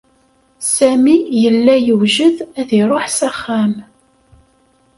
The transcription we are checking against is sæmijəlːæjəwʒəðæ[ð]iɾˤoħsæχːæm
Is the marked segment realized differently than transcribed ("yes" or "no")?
no